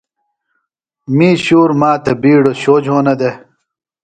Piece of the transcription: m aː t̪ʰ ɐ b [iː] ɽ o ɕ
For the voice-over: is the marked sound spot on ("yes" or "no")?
yes